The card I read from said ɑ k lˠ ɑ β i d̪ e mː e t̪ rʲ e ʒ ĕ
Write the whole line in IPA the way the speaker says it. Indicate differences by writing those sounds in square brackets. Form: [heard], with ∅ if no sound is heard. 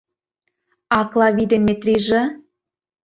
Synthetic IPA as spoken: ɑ k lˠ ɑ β i d̪ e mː e t̪ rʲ [i] ʒ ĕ